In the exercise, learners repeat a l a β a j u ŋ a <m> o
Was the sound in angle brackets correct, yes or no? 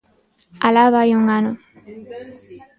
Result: no